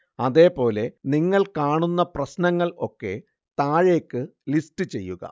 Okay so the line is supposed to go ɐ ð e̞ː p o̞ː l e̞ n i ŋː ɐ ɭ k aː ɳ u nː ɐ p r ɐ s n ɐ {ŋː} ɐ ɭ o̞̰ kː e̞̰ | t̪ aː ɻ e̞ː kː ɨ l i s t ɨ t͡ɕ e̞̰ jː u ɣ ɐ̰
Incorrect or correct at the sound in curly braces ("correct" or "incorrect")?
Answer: correct